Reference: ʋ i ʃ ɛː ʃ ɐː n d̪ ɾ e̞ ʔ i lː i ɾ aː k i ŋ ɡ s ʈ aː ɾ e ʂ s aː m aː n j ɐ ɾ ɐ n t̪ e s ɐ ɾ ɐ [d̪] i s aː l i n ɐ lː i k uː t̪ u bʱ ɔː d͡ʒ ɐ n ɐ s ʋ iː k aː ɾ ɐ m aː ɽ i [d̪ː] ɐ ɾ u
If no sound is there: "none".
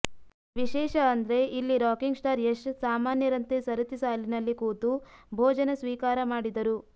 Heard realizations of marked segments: t̪, d̪

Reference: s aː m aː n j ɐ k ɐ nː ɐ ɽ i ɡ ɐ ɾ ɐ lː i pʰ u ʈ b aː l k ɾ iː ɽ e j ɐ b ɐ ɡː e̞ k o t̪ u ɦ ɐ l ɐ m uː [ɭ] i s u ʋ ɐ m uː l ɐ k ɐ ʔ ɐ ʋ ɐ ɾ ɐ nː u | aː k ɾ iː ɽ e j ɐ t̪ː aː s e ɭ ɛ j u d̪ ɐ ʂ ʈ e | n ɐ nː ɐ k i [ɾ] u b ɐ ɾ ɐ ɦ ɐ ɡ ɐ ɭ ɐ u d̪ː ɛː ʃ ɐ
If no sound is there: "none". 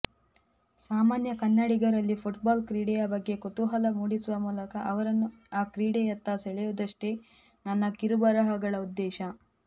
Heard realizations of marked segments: ɽ, ɾ

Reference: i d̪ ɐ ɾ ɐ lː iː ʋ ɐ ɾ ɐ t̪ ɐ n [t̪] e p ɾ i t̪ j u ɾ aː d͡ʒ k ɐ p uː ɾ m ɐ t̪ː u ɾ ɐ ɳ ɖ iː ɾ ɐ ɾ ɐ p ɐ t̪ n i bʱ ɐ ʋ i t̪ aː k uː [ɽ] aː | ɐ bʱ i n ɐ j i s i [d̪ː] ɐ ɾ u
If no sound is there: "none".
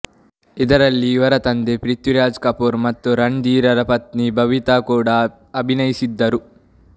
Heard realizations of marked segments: d̪, ɽ, d̪ː

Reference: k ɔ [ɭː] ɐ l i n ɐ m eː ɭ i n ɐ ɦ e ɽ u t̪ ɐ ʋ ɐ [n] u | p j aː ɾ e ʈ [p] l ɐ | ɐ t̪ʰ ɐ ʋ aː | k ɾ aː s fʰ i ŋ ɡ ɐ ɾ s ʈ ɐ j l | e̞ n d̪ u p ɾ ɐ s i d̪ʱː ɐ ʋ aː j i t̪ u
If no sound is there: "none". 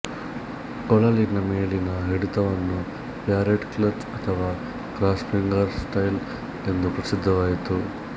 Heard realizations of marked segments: ɭ, nː, k

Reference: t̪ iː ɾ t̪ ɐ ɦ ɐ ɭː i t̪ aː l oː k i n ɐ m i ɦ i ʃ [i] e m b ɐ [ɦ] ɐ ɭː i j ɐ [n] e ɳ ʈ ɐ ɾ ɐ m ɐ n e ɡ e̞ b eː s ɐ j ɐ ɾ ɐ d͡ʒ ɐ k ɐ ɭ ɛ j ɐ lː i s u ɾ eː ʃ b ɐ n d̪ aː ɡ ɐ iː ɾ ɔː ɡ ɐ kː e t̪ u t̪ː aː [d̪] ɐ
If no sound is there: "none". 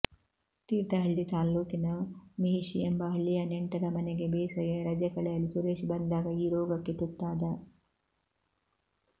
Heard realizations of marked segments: i, ɦ, n, d̪

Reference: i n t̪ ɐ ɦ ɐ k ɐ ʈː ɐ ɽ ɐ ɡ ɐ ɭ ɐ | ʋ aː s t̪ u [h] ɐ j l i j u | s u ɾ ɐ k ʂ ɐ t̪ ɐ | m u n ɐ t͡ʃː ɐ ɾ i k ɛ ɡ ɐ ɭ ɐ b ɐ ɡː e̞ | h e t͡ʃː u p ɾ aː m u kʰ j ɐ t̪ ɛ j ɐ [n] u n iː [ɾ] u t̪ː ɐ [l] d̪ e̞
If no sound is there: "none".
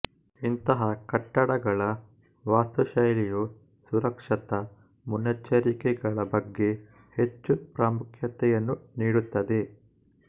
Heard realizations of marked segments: ʃ, nː, ɽ, none

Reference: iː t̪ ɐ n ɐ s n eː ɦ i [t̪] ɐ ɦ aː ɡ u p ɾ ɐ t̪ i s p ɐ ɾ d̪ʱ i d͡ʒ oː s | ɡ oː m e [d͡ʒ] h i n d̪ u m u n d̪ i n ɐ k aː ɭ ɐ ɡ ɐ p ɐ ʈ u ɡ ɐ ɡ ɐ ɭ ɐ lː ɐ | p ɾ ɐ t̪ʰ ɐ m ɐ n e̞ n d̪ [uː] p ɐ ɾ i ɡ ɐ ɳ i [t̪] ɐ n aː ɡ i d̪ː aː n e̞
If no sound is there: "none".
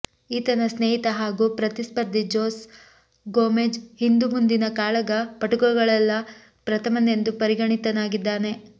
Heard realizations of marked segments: t̪, d͡ʒ, u, t̪

